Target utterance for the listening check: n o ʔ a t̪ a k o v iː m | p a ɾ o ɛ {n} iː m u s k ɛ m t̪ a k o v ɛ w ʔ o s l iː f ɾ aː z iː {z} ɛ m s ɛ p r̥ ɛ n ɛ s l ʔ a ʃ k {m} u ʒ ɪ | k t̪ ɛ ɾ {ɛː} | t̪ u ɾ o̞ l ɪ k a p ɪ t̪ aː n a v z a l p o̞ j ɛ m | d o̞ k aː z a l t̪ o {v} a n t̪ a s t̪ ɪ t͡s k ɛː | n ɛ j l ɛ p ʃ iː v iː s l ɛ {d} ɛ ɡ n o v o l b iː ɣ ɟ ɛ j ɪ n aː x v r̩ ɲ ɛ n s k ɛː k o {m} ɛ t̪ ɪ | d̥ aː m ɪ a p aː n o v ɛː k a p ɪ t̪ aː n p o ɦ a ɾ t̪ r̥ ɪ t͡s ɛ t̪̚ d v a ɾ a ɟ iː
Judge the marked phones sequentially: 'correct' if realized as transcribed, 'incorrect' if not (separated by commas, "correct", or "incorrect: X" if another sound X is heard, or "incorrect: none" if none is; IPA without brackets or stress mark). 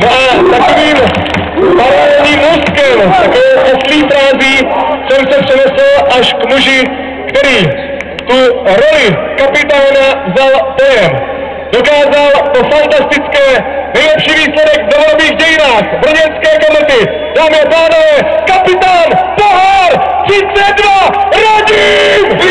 incorrect: ɲ, incorrect: s, correct, incorrect: iː, incorrect: f, correct, correct